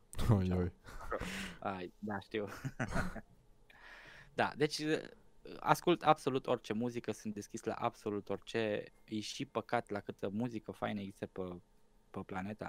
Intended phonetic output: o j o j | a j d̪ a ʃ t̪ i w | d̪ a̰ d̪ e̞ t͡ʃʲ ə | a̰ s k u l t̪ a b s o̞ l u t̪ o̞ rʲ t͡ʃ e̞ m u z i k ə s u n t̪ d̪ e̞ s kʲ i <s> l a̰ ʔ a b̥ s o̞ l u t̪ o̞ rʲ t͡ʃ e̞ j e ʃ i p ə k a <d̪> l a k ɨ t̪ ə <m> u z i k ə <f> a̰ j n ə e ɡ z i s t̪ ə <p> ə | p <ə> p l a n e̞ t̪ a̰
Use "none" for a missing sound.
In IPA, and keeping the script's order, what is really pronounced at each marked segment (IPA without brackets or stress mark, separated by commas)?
s, t̪, m, f, p, ə